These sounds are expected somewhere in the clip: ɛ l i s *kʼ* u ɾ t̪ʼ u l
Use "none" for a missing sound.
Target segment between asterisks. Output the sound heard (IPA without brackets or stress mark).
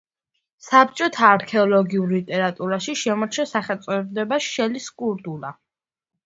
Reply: kʼ